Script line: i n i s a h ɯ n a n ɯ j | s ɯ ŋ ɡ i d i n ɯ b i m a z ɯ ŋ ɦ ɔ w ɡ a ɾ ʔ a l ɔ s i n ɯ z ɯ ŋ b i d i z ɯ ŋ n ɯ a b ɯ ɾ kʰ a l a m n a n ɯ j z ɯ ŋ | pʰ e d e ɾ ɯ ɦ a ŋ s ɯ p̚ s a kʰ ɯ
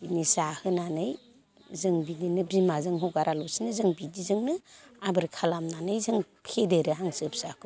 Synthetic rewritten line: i n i s a h ɯ n a n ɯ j | z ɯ ŋ b i d i n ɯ b i m a z ɯ ŋ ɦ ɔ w ɡ a ɾ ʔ a l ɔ s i n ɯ z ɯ ŋ b i d i z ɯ ŋ n ɯ a b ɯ ɾ kʰ a l a m n a n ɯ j z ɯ ŋ | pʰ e d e ɾ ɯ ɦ a ŋ s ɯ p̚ s a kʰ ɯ